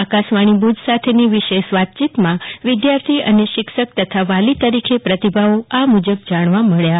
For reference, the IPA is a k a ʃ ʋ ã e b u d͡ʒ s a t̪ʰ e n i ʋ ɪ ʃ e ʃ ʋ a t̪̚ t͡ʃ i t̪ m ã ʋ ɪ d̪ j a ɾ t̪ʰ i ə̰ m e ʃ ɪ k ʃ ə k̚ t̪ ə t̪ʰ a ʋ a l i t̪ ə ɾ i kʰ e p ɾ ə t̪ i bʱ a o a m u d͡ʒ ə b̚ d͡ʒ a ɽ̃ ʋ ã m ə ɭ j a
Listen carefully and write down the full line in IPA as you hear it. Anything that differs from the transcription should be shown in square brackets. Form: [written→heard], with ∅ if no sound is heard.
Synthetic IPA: a k a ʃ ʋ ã [e→i] b u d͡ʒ s a t̪ʰ e n i ʋ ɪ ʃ e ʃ ʋ a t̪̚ t͡ʃ i t̪ m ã ʋ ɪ d̪ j a ɾ t̪ʰ i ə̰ [m→n] e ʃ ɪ k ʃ ə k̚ t̪ ə t̪ʰ a ʋ a l i t̪ ə ɾ i kʰ e p ɾ ə t̪ i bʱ a o a m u d͡ʒ ə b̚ d͡ʒ a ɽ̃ ʋ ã m ə ɭ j a